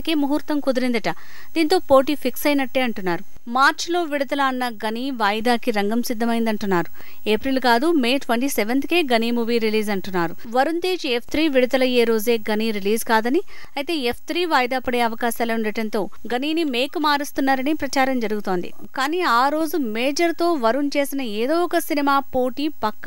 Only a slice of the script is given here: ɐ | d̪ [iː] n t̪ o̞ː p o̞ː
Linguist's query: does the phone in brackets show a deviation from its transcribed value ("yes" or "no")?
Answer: no